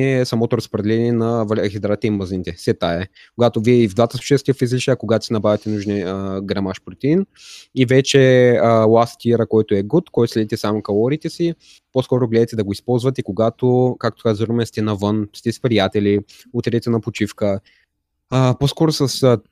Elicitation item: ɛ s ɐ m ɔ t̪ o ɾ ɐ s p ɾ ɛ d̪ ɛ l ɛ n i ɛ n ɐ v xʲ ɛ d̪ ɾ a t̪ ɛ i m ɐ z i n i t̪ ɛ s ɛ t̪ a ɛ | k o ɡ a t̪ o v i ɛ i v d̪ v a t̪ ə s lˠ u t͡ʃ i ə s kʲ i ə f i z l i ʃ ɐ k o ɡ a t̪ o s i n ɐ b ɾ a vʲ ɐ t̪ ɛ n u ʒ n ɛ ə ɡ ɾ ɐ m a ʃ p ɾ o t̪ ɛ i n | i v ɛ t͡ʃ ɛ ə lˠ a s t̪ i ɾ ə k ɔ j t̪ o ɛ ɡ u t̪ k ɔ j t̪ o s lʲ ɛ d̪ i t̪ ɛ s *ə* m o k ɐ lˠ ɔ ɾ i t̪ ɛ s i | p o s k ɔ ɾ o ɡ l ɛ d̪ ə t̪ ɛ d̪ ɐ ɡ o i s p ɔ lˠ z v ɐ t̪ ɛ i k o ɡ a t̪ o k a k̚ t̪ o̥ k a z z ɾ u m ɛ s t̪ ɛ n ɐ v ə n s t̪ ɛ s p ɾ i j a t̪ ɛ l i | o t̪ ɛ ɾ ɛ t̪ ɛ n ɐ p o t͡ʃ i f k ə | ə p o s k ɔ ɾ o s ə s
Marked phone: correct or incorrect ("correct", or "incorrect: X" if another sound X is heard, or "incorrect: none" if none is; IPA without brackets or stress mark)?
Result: incorrect: a